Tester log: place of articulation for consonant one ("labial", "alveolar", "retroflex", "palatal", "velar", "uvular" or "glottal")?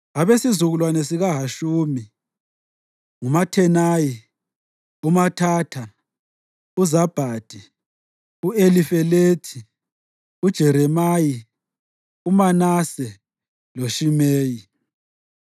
labial